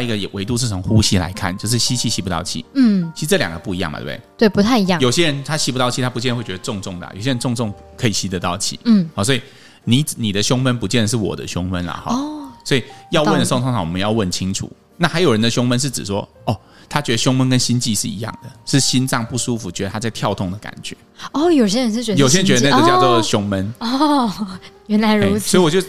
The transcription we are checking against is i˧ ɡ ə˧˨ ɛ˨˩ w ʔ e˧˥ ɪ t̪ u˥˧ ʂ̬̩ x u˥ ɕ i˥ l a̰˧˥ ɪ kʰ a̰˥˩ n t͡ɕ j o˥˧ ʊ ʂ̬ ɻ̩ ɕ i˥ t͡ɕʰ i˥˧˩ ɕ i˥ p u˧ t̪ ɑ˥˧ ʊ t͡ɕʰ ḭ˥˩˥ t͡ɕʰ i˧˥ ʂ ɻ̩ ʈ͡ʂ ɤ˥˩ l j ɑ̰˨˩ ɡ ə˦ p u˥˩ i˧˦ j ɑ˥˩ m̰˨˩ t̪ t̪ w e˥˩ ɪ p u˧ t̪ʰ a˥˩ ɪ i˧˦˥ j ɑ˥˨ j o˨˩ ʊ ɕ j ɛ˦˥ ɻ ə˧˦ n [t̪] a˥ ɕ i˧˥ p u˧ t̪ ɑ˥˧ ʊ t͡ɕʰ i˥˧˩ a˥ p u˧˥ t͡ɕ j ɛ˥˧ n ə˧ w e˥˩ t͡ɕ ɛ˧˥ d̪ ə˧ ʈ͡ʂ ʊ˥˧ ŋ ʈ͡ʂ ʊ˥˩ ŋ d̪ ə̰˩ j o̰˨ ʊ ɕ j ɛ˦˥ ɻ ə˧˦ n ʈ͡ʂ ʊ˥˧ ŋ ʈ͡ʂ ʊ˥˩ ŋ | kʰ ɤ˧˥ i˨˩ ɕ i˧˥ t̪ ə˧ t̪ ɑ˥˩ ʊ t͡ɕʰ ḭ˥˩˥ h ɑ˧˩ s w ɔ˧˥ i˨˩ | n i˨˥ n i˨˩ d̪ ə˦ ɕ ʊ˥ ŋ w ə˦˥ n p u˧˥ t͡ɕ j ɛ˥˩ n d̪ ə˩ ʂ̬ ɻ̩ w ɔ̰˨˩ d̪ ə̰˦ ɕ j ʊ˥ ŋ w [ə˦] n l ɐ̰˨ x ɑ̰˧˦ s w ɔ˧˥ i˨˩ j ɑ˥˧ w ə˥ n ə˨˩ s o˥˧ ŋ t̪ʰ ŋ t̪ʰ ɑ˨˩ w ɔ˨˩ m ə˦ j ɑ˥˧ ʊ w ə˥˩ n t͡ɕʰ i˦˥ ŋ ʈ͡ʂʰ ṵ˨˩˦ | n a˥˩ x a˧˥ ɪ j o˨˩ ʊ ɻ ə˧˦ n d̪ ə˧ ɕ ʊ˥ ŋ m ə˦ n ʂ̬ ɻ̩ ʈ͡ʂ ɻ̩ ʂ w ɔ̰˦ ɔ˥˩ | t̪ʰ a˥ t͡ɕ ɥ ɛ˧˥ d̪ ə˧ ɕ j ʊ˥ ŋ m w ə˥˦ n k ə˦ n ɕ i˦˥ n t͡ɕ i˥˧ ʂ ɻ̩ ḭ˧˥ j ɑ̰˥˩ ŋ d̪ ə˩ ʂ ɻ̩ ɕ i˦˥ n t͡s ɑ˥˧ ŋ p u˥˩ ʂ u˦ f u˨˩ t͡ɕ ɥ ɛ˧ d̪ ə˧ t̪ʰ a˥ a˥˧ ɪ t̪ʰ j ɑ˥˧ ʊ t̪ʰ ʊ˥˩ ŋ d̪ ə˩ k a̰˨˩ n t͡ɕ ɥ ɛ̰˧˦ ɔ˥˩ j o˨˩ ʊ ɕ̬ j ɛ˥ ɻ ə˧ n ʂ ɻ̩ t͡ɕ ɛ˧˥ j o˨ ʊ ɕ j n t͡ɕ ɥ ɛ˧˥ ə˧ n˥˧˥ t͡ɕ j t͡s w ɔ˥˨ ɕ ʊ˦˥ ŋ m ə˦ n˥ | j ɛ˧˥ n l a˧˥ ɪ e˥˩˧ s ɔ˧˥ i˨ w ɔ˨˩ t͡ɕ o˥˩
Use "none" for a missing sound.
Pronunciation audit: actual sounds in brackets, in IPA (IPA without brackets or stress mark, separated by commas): t̪ʰ, ə˦